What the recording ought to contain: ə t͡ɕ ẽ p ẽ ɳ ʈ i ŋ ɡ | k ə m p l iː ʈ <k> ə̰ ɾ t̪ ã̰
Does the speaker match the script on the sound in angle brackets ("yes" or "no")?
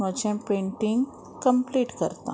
yes